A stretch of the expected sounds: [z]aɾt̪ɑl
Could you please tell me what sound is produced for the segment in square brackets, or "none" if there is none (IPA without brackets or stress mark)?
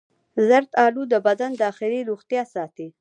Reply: z